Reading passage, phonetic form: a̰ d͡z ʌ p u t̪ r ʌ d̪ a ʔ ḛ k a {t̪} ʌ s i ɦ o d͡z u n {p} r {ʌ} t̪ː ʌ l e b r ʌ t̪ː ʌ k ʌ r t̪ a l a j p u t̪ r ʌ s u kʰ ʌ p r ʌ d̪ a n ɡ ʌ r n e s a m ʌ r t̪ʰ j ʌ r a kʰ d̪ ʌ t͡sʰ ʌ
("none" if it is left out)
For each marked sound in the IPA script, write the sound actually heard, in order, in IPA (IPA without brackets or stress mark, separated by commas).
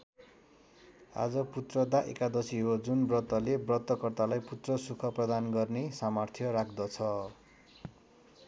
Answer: d̪, b, ʌ